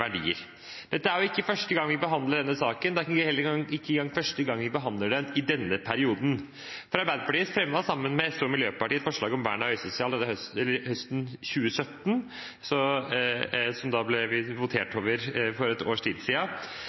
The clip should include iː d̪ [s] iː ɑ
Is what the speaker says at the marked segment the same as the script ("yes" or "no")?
yes